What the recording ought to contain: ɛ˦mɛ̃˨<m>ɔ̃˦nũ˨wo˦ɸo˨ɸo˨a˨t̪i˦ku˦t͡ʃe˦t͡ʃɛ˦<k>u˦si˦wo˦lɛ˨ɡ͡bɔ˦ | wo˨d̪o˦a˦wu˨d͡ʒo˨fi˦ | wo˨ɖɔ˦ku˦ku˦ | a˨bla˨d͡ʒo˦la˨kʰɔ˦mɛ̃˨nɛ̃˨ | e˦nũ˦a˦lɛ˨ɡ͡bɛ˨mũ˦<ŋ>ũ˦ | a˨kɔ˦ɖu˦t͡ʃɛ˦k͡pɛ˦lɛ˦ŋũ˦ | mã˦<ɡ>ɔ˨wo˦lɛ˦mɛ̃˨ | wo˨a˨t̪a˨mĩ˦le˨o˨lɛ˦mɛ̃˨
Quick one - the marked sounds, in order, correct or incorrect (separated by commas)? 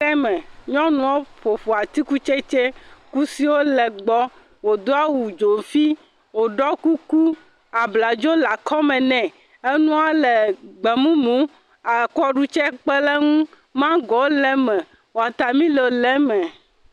incorrect, correct, incorrect, correct